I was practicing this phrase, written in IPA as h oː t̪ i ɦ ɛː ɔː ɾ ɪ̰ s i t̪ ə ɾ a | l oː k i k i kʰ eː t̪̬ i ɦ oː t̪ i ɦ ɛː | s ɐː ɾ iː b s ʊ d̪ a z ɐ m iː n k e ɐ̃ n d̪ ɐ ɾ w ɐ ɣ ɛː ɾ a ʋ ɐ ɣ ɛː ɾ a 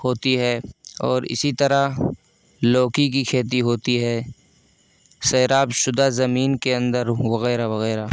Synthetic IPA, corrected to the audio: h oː t̪ i ɦ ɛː ɔː ɾ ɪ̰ s i t̪ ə ɾ a | l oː k i k i kʰ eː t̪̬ i ɦ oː t̪ i ɦ ɛː | s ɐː ɾ aː b ʃ ʊ d̪ a z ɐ m iː n k e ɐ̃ n d̪ ə ɾ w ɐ ɣ ɛː ɾ a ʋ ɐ ɣ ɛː ɾ a